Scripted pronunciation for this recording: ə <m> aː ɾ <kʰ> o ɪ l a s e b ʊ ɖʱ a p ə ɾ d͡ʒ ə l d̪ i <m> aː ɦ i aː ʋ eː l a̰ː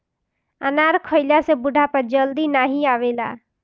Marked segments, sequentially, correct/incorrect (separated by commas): incorrect, correct, incorrect